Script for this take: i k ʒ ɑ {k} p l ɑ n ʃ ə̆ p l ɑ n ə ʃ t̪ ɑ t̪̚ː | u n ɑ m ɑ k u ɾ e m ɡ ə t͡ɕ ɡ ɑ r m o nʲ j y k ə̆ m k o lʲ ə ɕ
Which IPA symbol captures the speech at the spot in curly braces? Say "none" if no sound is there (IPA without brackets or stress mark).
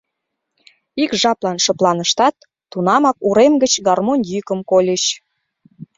none